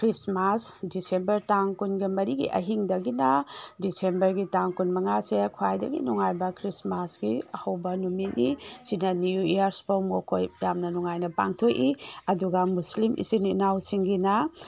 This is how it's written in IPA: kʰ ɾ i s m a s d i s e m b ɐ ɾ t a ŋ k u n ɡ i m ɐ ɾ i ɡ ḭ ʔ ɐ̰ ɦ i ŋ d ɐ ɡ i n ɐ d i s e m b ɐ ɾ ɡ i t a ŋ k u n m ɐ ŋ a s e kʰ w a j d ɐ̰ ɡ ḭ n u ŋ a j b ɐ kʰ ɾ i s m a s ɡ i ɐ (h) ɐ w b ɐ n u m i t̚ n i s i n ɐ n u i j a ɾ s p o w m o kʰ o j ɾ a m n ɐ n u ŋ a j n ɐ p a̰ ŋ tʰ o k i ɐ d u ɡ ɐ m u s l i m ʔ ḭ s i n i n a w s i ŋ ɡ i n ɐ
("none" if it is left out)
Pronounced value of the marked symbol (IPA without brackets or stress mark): h